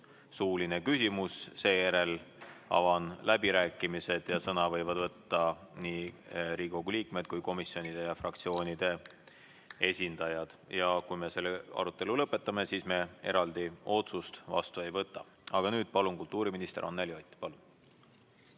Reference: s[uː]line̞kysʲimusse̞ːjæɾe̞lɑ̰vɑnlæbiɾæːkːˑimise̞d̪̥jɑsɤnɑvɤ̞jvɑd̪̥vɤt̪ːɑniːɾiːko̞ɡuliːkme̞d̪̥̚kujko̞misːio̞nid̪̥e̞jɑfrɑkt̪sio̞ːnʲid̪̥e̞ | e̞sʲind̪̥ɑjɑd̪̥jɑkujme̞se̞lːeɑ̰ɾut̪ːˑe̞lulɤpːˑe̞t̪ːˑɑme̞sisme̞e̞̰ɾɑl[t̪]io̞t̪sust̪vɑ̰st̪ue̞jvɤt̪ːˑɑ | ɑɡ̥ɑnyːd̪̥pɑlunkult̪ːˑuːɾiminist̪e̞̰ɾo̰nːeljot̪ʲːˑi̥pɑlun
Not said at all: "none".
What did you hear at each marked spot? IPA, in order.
uː, d̪

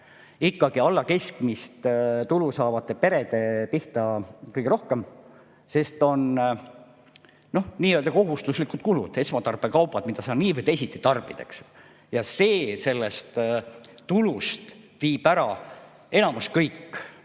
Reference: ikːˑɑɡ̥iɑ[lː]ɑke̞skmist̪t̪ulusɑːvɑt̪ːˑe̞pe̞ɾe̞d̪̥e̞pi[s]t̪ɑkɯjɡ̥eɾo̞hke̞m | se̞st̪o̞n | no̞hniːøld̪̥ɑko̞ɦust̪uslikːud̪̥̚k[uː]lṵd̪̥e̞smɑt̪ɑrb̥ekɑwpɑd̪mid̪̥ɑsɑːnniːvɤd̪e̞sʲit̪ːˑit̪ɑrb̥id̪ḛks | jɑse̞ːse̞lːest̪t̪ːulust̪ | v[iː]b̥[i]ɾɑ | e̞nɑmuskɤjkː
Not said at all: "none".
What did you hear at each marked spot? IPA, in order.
lː, h, u, iː, æ

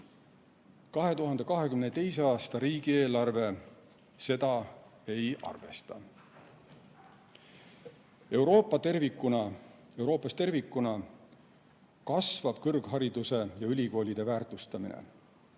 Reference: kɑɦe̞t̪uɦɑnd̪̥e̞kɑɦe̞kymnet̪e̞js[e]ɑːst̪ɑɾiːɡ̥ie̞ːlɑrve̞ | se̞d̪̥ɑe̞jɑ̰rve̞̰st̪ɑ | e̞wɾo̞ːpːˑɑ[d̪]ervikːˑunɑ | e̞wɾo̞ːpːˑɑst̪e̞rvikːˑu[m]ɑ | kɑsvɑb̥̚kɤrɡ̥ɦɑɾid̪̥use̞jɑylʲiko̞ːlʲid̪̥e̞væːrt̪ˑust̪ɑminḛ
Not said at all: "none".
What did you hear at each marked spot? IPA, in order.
e, t̪, n

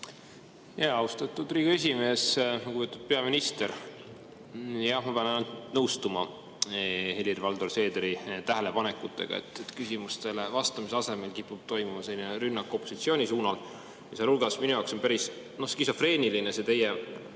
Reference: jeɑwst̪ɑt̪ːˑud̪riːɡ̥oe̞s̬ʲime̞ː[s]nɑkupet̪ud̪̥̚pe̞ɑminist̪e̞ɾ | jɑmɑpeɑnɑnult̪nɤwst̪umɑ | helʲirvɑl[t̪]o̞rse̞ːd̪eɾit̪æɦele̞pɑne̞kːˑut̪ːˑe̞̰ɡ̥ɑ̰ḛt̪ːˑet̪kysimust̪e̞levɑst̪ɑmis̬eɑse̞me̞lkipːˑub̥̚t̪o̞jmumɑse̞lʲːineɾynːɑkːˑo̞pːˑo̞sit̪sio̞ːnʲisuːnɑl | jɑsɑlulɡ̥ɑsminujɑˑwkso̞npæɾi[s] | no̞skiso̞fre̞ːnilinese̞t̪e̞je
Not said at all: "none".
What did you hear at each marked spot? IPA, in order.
s, d̪, s

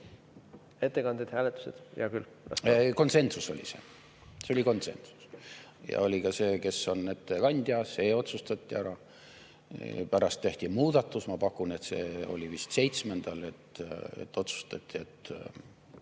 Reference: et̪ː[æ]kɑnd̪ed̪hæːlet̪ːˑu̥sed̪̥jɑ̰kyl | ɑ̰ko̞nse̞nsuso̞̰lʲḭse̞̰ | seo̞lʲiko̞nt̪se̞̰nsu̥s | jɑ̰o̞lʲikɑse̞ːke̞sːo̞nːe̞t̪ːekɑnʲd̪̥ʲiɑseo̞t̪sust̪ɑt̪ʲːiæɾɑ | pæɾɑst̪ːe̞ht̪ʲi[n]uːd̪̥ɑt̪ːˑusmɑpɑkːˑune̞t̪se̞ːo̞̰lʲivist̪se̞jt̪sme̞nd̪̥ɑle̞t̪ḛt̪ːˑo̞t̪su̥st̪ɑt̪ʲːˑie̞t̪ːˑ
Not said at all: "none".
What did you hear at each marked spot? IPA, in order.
e, m

